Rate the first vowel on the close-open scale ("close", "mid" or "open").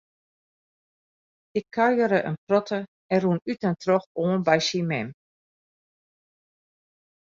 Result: close